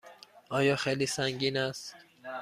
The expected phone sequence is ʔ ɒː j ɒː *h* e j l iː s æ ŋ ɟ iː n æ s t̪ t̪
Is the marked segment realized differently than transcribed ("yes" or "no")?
yes